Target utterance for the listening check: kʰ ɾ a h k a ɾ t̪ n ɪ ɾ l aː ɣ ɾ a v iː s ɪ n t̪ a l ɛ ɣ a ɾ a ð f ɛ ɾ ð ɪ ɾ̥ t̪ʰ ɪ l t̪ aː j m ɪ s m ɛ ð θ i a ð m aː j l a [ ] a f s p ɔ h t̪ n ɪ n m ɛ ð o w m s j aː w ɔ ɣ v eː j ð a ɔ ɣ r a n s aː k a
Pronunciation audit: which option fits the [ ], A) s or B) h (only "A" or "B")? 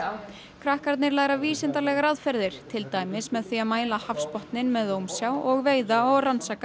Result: B